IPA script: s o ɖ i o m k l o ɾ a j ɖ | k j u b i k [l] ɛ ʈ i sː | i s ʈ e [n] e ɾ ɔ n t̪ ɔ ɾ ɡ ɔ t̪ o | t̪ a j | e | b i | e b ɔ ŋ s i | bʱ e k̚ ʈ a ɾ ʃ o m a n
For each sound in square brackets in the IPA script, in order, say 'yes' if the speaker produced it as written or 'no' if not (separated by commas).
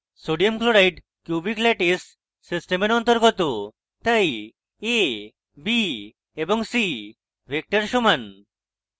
yes, no